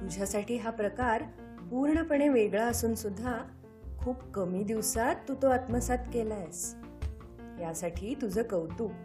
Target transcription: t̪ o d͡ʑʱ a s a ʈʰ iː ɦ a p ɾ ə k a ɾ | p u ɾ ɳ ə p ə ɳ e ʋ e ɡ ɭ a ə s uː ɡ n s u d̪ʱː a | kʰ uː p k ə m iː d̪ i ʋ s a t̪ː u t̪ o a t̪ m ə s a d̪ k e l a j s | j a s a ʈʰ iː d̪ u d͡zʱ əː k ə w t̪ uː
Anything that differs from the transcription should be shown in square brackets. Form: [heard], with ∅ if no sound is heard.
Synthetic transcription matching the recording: t̪ [u] d͡ʑʱ a s a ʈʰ iː ɦ a p ɾ ə k a ɾ | p u ɾ ɳ ə p ə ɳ e ʋ e ɡ ɭ a ə s uː [∅] n s u d̪ʱː a | kʰ uː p k ə m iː d̪ i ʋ s a t̪ː u t̪ o a t̪ m ə s a [t̪] k e l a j s | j a s a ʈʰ iː [t̪] u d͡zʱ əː k ə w t̪ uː